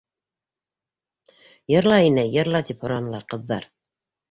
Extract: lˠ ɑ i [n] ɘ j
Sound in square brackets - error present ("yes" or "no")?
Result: no